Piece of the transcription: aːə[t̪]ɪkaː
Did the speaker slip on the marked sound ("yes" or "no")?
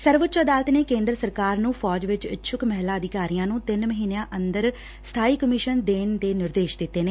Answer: yes